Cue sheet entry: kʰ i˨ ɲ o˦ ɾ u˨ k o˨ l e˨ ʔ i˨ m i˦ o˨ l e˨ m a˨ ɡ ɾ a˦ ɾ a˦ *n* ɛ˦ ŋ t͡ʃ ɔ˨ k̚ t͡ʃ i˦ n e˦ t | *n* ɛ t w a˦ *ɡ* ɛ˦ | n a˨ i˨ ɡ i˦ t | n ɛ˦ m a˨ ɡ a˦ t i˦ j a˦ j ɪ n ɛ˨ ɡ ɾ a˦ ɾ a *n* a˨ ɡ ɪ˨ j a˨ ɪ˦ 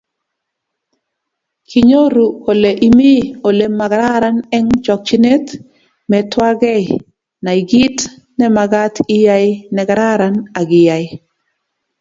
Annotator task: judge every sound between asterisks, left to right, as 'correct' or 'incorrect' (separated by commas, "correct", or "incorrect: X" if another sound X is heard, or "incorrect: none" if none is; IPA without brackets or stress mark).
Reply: correct, incorrect: m, correct, correct